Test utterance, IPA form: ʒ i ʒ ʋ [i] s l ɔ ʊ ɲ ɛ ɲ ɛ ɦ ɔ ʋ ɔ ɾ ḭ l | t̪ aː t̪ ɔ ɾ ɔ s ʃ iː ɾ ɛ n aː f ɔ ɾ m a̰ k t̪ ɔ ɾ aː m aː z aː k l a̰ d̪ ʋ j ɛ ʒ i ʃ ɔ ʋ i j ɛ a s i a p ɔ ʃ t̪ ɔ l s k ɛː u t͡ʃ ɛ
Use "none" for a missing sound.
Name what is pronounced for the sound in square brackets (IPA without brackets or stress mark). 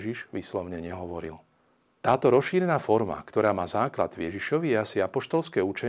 iː